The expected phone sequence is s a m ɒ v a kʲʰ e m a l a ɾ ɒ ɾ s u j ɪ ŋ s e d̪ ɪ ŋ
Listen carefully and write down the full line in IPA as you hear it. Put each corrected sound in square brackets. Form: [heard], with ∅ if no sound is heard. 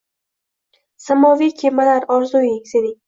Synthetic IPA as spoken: s a m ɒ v [i] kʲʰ e m a l a ɾ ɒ ɾ [z] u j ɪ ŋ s e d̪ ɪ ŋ

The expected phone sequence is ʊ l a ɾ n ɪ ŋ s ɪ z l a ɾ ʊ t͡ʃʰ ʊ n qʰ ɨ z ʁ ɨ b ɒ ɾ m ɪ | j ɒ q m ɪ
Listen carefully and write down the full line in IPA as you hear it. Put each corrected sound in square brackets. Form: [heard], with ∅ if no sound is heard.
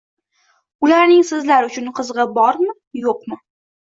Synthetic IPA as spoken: ʊ l a ɾ n ɪ ŋ s ɪ z l a ɾ ʊ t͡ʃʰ ʊ n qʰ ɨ z ʁ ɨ b ɒ ɾ m ɪ | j [o] q m ɪ

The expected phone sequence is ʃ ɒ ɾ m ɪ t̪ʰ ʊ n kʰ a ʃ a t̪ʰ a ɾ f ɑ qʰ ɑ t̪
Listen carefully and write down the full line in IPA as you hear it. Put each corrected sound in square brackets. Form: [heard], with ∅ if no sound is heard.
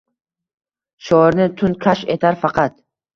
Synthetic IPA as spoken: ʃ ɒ ɾ [n] ɪ t̪ʰ ʊ n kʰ a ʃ [e] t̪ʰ a ɾ f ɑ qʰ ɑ t̪

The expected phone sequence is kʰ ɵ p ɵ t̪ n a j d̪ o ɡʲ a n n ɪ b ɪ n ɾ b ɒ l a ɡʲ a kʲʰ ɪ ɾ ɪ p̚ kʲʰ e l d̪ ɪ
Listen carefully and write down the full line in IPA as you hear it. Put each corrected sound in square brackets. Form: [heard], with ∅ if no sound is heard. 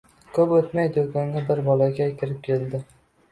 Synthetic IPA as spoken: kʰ ɵ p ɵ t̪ [m] a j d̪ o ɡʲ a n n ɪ b ɪ [∅] ɾ b ɒ l a ɡʲ a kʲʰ ɪ ɾ ɪ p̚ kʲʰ e l d̪ ɪ

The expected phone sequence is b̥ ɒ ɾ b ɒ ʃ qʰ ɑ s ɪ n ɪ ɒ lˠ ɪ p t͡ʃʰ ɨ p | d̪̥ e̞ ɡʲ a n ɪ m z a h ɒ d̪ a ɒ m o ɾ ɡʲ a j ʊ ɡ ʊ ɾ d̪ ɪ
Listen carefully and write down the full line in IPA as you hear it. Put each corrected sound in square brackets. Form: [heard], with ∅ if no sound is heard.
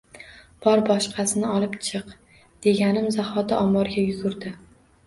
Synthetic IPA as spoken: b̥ ɒ ɾ b ɒ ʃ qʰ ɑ s ɪ n ɪ ɒ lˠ ɪ p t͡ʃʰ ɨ [q] | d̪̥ e̞ ɡʲ a n ɪ m z a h ɒ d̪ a ɒ m [ɒ] ɾ ɡʲ a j ʊ ɡ ʊ ɾ d̪ ɪ

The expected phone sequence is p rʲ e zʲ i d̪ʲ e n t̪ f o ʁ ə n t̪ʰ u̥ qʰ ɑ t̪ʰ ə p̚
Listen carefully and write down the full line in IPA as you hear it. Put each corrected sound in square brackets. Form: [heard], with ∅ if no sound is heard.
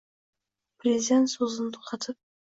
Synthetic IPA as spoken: p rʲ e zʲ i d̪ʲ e n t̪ [s] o [z] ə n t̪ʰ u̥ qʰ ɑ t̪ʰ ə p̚

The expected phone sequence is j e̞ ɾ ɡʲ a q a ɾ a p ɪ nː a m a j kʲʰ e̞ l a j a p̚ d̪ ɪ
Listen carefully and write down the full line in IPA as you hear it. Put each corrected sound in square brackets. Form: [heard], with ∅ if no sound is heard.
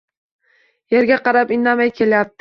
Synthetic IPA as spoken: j e̞ ɾ ɡʲ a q [ɑ] ɾ a p ɪ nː a m a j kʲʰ e̞ l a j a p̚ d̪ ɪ

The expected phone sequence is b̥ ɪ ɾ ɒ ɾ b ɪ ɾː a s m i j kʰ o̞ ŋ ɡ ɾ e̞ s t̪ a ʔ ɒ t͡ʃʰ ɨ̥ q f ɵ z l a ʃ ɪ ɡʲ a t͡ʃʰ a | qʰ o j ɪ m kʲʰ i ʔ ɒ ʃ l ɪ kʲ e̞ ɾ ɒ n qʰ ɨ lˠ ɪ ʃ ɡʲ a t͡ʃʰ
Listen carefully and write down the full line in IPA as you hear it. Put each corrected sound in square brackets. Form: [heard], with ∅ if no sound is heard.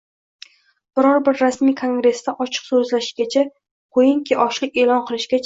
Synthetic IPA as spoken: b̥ ɪ ɾ ɒ ɾ b ɪ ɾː a s m i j kʰ o̞ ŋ ɡ ɾ e̞ s t̪ a ʔ ɒ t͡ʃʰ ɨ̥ q [s] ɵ z l a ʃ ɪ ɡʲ a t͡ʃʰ a | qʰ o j ɪ [ŋ] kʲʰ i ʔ ɒ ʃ l ɪ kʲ e̞ [l] ɒ n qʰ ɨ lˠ ɪ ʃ ɡʲ a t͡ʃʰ

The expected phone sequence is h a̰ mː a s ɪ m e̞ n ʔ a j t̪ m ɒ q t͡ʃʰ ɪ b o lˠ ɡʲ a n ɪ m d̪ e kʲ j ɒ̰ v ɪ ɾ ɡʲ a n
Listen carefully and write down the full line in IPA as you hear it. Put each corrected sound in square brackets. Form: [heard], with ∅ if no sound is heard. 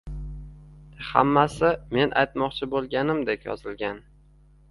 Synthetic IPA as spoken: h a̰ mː a s ɪ m e̞ n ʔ a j t̪ m ɒ q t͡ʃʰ ɪ b o lˠ ɡʲ a n ɪ m d̪ e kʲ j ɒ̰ [z] ɪ [l] ɡʲ a n

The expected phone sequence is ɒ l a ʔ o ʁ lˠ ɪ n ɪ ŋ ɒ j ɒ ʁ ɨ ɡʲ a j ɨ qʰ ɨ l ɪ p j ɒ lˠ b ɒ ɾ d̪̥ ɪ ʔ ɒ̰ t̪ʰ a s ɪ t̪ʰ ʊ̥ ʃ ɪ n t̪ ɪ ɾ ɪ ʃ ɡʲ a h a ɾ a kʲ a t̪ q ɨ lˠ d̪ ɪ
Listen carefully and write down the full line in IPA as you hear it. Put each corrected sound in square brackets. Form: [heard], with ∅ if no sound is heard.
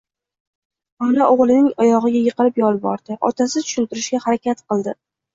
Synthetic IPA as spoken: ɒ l a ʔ o ʁ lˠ ɪ n ɪ ŋ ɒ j ɒ ʁ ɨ ɡʲ a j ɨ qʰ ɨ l ɪ p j ɒ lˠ b ɒ ɾ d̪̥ ɪ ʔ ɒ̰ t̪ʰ a s ɪ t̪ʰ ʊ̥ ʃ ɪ n t̪ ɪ ɾ ɪ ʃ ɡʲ a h a ɾ a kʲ a t̪ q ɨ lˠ d̪ ɪ

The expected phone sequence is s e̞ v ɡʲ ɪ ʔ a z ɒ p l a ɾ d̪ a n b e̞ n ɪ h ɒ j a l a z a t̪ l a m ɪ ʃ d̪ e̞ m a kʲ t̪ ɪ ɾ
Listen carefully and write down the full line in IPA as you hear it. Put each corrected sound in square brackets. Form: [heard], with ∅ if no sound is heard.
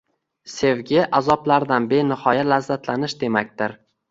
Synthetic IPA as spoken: s e̞ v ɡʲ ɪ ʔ a z ɒ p l a ɾ d̪ a n b e̞ n ɪ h ɒ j a l a [zː] a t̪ l a [n] ɪ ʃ d̪ e̞ m a kʲ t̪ ɪ ɾ

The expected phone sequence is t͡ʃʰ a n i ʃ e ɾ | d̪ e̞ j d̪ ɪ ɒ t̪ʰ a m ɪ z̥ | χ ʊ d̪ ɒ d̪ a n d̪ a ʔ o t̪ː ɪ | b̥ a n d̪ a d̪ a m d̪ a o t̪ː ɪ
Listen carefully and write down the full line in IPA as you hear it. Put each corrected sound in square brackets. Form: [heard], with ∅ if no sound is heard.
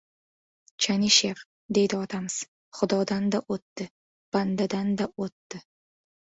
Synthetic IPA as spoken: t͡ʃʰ a n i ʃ e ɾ | d̪ e̞ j d̪ ɪ ɒ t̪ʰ a m ɪ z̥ | χ ʊ d̪ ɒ d̪ a n d̪ a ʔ o t̪ː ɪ | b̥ a n d̪ a d̪ a [n] d̪ a o t̪ː ɪ

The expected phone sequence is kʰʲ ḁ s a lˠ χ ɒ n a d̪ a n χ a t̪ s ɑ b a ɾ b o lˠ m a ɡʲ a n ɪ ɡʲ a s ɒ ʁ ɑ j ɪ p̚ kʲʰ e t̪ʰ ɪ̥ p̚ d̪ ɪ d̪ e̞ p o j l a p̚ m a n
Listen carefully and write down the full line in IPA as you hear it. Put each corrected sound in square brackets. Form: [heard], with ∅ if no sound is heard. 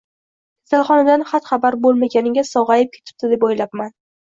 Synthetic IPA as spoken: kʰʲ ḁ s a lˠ χ ɒ n a d̪ a n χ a t̪ [χ] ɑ b a ɾ b o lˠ m a ɡʲ a n ɪ ɡʲ a s ɒ ʁ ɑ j ɪ p̚ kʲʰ e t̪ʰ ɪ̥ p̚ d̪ ɪ d̪ e̞ p o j l a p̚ m a n

